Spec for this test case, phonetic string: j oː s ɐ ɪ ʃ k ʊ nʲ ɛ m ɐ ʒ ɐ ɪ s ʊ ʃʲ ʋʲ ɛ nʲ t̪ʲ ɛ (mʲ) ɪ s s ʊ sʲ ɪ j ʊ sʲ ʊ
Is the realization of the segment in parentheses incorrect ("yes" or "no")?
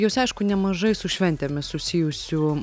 no